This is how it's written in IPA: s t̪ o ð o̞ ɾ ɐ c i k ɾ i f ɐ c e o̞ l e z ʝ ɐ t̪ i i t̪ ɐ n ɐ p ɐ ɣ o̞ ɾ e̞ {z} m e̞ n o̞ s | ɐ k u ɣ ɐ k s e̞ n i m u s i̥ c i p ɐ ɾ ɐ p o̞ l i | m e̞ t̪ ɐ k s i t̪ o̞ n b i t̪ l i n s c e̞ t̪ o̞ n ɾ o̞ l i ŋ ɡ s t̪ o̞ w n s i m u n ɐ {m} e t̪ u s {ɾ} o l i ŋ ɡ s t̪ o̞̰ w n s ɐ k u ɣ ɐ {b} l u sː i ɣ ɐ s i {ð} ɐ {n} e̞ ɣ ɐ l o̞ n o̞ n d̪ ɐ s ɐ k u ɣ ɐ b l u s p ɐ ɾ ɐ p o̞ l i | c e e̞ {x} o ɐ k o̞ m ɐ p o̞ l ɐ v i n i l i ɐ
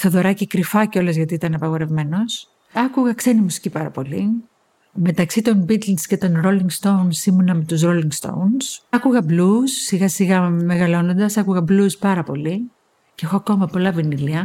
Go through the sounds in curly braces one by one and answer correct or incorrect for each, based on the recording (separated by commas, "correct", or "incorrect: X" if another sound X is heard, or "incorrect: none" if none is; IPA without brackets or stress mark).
incorrect: v, correct, correct, correct, incorrect: ɣ, incorrect: m, correct